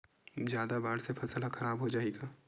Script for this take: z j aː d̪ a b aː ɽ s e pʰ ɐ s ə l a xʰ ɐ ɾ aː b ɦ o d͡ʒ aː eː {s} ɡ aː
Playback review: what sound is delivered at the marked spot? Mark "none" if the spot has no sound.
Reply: none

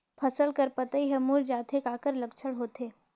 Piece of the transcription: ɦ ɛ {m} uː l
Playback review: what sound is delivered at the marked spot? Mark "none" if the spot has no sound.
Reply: m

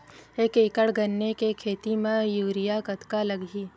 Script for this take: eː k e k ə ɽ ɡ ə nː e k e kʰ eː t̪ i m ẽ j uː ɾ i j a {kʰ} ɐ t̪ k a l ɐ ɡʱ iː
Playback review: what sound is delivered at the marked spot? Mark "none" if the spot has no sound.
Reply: k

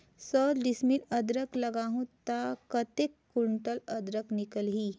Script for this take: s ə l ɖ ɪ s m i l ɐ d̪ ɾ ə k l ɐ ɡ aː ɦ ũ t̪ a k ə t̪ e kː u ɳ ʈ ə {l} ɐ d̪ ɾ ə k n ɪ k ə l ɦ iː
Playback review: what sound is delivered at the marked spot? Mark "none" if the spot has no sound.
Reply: l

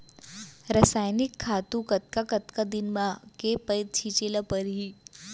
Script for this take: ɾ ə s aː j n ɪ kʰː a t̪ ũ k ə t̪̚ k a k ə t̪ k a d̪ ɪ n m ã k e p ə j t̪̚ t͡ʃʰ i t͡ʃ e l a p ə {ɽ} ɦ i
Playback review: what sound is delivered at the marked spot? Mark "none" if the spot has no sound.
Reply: ɾ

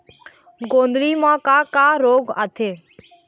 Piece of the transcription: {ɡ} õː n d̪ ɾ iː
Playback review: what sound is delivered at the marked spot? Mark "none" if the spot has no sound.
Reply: ɡ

